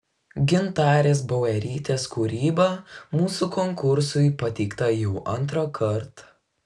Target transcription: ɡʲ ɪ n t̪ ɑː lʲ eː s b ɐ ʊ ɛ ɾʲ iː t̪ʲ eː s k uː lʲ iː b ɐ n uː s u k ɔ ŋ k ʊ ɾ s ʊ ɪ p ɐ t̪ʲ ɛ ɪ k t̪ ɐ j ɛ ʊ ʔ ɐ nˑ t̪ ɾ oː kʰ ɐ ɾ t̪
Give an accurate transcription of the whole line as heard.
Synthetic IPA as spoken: ɡʲ ɪ n t̪ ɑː ɾʲ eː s b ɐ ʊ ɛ ɾʲ iː t̪ʲ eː s k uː ɾʲ iː b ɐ m uː s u k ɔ ŋ k ʊ ɾ s ʊ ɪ p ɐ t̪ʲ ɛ ɪ k t̪ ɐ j ɛ ʊ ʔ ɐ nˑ t̪ ɾ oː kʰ ɐ ɾ t̪